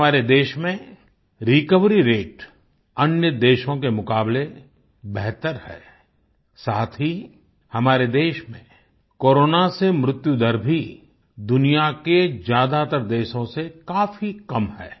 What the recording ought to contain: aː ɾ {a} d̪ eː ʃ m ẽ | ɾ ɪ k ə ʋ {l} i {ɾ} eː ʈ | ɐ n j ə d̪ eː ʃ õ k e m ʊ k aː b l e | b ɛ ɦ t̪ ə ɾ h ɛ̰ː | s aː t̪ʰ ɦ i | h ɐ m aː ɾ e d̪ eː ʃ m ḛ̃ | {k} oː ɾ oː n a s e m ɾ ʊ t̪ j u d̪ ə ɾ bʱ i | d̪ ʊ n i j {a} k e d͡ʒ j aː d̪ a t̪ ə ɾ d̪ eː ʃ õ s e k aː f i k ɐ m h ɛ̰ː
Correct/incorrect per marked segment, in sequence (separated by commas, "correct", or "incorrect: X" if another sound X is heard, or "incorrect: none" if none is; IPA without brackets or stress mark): incorrect: e, incorrect: ɾ, correct, correct, correct